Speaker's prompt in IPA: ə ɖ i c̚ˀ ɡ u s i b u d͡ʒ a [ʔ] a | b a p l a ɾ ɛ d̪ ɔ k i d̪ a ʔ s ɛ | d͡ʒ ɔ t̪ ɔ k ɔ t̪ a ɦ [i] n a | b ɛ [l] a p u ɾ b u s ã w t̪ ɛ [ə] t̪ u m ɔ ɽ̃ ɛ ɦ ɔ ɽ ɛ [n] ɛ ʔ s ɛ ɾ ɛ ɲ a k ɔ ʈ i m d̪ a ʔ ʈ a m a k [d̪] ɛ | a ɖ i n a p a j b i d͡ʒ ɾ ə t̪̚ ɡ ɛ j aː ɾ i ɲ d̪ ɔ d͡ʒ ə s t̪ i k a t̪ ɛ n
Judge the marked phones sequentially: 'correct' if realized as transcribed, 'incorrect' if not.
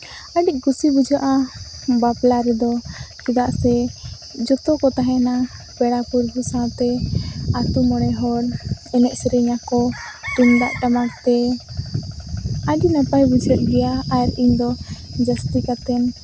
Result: correct, incorrect, incorrect, incorrect, correct, incorrect

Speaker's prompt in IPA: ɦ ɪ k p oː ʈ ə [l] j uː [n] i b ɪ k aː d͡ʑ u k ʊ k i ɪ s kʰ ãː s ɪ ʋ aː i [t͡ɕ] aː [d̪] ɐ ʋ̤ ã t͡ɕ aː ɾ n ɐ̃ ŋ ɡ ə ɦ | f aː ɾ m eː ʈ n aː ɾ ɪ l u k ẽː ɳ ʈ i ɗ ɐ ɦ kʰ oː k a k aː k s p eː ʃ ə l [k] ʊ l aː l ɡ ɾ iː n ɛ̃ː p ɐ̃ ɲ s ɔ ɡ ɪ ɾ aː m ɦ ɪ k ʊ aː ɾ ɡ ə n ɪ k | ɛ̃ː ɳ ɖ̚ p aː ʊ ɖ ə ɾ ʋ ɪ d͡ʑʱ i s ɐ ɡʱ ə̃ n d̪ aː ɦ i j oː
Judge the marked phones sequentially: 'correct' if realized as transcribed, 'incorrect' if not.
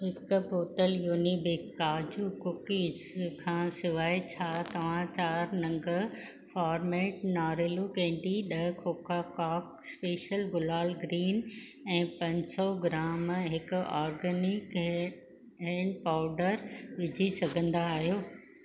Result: correct, correct, incorrect, incorrect, incorrect

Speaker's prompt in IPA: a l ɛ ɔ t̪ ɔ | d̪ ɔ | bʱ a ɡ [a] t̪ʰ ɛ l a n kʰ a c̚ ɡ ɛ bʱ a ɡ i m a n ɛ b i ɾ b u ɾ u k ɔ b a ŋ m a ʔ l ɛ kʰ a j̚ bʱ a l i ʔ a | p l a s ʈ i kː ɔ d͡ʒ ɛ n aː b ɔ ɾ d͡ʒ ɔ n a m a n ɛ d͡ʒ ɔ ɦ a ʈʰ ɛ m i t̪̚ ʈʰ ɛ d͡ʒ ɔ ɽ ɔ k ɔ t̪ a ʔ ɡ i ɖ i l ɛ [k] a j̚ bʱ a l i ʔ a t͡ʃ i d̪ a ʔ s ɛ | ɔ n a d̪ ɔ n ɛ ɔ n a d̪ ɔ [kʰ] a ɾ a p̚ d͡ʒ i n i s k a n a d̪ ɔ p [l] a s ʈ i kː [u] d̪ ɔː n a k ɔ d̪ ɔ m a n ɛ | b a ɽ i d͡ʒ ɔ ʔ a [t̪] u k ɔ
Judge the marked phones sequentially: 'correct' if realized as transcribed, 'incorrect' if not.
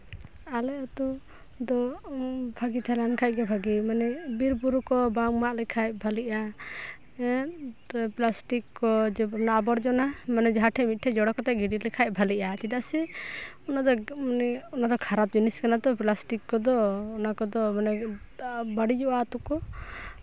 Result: incorrect, incorrect, correct, correct, incorrect, correct

